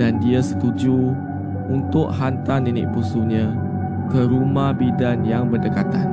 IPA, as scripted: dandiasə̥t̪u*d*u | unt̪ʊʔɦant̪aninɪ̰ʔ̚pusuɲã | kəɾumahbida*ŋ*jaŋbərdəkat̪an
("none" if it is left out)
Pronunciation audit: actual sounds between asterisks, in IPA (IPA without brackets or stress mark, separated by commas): d͡ʒ, n